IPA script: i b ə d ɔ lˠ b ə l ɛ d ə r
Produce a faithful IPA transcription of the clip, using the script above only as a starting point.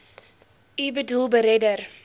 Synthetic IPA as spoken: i b ə d u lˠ b ə ɾ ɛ d ə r